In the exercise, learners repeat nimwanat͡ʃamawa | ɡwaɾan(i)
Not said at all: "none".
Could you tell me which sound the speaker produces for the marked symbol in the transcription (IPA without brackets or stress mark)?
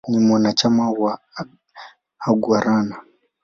a